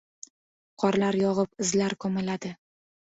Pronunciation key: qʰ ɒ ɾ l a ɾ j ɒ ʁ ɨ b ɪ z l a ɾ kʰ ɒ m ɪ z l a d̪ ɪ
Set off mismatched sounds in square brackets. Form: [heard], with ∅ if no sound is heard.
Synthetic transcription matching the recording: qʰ ɒ ɾ l a ɾ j ɒ ʁ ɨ [p] ɪ z l a ɾ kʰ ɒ m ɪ [∅] l a d̪ ɪ